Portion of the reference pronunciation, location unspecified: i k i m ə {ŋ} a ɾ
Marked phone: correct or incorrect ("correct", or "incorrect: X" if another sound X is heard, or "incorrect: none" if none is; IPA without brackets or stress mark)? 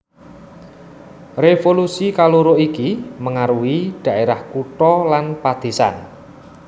correct